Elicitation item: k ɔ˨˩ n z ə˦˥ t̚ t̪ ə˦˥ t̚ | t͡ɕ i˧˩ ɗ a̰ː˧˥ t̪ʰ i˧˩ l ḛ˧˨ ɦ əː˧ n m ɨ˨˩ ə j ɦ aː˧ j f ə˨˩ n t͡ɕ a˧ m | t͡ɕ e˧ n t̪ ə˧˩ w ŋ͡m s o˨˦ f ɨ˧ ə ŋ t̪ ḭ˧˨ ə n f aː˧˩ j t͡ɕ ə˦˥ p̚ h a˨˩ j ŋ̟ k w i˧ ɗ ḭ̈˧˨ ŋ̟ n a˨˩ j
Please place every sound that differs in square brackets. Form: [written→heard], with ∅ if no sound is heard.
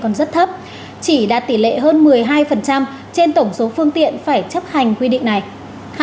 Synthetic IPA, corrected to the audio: k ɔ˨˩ n z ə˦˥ t̚ [t̪→t̪ʰ] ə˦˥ [t̚→p̚] | t͡ɕ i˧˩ ɗ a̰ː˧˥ [t̪ʰ→t̪] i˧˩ l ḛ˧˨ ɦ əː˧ n m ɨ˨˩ ə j ɦ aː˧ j f ə˨˩ n t͡ɕ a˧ m | t͡ɕ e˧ n t̪ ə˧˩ w ŋ͡m s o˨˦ f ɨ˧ ə ŋ t̪ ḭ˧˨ ə n f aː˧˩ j t͡ɕ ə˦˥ p̚ h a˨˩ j ŋ̟ k w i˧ ɗ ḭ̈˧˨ ŋ̟ n a˨˩ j